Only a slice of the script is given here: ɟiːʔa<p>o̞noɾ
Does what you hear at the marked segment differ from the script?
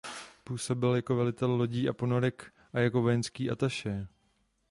no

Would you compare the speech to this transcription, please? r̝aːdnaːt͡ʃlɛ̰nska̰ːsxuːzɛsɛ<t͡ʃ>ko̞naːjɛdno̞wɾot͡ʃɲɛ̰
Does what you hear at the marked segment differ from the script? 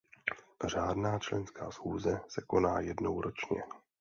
yes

